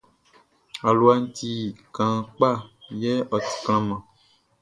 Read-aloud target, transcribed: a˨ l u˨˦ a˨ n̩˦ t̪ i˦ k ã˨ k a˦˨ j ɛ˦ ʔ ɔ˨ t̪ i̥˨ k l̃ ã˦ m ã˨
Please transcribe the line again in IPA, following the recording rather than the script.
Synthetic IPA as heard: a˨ l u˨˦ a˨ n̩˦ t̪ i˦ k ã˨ k͡p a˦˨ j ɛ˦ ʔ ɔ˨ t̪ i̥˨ k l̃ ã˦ m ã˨